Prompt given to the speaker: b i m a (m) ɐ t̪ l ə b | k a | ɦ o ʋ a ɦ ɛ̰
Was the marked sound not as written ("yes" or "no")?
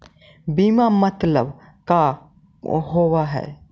no